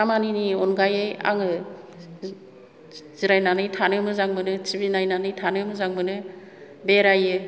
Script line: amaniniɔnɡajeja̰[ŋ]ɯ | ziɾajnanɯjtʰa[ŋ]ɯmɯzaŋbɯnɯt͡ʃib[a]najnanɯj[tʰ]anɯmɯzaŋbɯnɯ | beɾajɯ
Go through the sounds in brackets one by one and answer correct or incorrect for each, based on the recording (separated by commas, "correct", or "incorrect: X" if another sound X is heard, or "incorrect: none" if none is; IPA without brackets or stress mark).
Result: correct, incorrect: n, incorrect: i, correct